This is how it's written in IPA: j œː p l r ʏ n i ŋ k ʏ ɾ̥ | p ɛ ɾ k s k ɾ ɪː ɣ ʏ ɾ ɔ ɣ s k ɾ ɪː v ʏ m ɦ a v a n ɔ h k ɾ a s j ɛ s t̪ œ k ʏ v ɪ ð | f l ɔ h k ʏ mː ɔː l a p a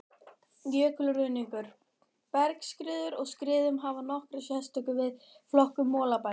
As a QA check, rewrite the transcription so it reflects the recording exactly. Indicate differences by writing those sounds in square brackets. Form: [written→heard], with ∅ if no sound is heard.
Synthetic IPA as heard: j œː [p→k] l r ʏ n i ŋ k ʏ ɾ̥ | p ɛ ɾ k s k ɾ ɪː [ɣ→ð] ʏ ɾ ɔ ɣ s k ɾ ɪː [v→ð] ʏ m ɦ a v a n ɔ h k ɾ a s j ɛ s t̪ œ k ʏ v ɪ ð | f l ɔ h k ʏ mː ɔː l a p a